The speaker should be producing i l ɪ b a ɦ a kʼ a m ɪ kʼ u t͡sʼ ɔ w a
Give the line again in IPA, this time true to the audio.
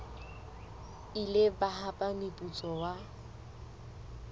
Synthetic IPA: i l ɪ b a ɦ a pʼ a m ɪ pʼ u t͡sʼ ɔ w a